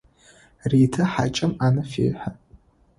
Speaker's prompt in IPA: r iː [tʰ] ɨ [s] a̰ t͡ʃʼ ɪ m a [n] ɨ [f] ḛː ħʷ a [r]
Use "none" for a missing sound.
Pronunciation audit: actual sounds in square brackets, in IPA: tʰ, ħ, n, f, none

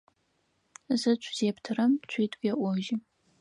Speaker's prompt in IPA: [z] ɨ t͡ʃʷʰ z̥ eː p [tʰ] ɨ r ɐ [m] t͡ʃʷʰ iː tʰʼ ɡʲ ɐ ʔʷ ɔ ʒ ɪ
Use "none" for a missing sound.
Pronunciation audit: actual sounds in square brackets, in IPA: z, tʰ, m

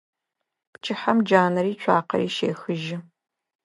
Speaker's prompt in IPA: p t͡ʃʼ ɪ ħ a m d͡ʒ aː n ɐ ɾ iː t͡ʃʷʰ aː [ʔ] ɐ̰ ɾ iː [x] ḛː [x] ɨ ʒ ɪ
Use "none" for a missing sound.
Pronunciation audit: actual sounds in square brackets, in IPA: q, ʃ, x

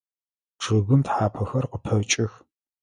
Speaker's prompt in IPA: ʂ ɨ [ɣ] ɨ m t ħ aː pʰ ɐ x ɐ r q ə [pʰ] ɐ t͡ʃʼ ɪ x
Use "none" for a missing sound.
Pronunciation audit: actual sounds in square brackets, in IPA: ɣ, pʰ

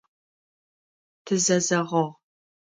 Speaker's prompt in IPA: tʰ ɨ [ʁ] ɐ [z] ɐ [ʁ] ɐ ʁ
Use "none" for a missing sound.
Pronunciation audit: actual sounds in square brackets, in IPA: z, z, ʁ

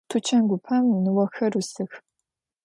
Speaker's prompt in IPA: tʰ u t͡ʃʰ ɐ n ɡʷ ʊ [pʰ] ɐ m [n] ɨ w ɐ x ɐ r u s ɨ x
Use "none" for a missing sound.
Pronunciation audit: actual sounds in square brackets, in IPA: pʰ, n

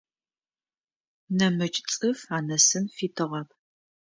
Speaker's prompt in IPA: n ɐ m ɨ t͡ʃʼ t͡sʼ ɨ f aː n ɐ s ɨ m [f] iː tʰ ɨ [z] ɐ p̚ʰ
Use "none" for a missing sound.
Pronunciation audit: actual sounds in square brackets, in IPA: f, ʁ

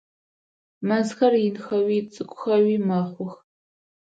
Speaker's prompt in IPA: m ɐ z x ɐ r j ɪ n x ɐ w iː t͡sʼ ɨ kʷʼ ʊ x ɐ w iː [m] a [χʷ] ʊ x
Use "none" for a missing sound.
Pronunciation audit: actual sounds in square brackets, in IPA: m, χʷ

